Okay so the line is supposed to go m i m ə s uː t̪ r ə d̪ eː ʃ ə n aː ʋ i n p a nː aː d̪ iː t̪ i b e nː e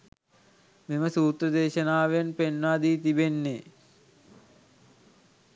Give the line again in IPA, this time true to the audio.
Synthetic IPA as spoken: m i m ə s uː t̪ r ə d̪ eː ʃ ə n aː ʋ e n p e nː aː d̪ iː t̪ i b e nː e